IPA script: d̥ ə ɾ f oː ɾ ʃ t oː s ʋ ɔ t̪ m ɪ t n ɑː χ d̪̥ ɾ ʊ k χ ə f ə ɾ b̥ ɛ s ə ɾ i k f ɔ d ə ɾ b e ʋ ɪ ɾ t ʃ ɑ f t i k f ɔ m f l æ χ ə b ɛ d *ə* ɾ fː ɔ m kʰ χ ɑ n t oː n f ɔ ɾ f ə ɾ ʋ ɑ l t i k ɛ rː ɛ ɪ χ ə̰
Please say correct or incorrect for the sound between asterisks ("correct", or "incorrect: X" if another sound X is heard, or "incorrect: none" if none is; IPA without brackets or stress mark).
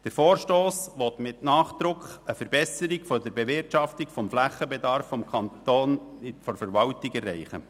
incorrect: ɑ